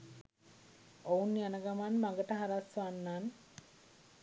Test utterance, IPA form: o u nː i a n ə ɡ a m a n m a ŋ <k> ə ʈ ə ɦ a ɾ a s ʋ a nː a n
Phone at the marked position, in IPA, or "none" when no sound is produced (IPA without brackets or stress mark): ɡ